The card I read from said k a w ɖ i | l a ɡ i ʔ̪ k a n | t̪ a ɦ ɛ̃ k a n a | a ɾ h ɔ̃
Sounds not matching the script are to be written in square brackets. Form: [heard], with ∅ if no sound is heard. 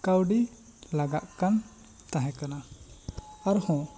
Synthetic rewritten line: k a w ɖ i | l a ɡ [a] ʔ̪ k a n | t̪ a ɦ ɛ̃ k a n a | a ɾ h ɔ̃